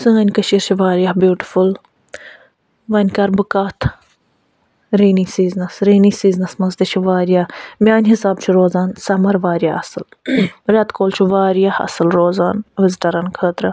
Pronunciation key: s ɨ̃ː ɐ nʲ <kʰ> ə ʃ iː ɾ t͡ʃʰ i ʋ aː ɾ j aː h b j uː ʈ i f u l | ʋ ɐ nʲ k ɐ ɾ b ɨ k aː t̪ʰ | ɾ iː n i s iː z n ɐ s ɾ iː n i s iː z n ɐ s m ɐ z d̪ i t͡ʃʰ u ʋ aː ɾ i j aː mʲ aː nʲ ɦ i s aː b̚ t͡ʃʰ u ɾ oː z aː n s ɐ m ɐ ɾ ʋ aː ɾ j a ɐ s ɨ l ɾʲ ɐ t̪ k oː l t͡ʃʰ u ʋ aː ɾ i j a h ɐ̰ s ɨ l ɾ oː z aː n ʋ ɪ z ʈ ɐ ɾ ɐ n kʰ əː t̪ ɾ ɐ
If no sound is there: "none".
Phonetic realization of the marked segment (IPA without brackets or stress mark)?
k